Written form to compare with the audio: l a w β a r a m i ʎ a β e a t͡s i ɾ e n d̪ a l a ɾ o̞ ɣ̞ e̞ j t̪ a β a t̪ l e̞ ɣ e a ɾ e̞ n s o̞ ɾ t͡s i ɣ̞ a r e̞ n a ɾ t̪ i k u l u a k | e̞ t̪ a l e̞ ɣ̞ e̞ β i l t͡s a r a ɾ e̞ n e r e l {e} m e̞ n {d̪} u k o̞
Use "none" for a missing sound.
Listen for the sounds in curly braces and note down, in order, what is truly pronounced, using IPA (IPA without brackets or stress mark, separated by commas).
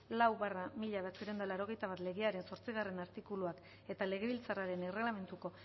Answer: a, t̪